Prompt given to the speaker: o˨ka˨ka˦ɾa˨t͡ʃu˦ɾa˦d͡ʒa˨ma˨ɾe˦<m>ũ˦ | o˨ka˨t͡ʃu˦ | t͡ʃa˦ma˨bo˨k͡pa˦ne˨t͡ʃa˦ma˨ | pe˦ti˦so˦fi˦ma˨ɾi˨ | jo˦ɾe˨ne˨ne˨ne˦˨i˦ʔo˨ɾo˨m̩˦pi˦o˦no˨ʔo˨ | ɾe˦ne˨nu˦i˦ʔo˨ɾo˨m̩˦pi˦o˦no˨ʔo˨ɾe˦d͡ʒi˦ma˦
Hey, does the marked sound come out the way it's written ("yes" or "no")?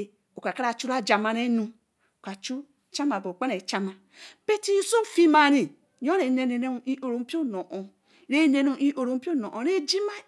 no